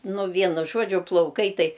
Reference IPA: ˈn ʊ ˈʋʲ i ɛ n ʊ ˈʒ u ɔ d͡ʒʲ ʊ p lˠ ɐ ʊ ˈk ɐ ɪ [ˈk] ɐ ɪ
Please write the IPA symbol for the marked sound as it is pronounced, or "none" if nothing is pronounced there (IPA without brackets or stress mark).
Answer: t